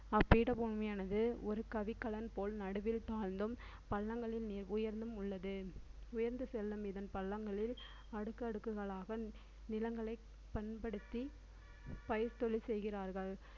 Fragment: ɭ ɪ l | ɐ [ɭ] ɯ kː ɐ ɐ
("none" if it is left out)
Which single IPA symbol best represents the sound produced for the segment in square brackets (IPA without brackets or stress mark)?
ɽ